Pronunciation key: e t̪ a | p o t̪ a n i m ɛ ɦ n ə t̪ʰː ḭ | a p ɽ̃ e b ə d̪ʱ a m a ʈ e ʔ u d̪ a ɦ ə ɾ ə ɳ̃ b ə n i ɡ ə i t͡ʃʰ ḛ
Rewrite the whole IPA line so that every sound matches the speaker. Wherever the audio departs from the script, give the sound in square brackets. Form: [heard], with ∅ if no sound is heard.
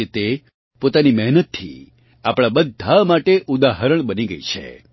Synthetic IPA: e t̪ [e] | p o t̪ a n i m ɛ ɦ n ə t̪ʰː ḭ | a p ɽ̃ [a] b ə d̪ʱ a m a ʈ e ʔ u d̪ a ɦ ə ɾ ə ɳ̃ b ə n i ɡ ə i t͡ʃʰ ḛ